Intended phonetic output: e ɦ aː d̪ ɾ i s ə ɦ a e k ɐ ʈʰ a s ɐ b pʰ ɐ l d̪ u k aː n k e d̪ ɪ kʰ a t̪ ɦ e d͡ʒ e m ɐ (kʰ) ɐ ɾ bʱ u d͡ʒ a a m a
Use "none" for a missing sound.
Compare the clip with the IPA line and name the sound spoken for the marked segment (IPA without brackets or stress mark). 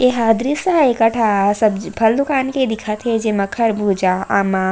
kʰ